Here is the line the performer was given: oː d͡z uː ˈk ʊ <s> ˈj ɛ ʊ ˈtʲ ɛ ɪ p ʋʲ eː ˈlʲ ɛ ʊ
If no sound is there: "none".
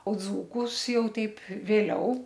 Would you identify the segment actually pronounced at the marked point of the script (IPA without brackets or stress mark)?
s